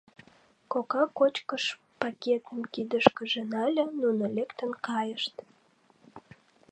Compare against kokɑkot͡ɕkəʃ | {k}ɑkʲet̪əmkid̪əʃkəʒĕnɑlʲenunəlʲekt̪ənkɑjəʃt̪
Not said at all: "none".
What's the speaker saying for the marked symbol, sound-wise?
p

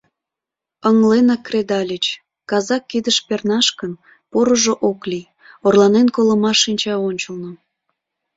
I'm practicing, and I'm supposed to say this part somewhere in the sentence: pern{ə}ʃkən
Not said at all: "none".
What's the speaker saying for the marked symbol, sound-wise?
ɑ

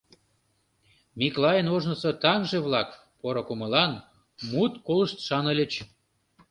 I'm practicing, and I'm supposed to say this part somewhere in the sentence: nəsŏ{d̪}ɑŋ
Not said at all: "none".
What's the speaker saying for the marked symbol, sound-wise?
t̪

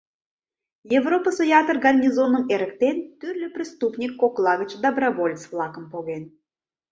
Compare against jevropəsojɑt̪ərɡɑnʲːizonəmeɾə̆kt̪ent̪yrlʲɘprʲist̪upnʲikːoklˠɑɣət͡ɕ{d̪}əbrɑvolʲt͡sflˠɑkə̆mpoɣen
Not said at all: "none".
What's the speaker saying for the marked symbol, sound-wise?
d̪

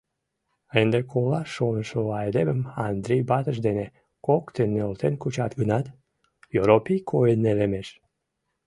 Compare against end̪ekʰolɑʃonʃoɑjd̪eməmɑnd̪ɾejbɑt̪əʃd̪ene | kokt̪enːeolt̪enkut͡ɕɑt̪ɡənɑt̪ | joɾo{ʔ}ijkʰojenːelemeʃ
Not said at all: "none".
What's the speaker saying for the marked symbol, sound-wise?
p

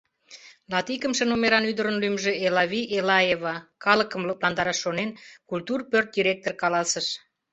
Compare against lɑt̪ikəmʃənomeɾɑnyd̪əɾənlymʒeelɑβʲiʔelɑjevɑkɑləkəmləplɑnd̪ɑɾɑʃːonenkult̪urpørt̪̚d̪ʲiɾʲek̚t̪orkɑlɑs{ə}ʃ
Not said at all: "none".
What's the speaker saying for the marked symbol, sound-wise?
ə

